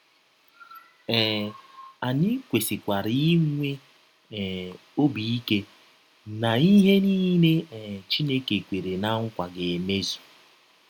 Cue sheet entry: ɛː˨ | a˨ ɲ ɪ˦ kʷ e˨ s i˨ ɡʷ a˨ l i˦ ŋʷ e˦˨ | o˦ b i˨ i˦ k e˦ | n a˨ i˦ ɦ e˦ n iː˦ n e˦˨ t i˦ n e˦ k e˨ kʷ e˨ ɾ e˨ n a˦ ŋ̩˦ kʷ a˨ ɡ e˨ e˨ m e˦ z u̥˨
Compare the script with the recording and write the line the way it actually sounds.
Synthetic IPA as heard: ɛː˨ | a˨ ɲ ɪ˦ kʷ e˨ s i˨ kʷ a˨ ɾ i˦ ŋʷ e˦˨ | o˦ b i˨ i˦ k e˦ | n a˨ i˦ ɦ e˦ n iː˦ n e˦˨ t͡ʃ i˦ n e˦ k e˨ kʷ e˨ ɾ e˨ n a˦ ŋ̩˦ kʷ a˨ ɡ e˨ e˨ m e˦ z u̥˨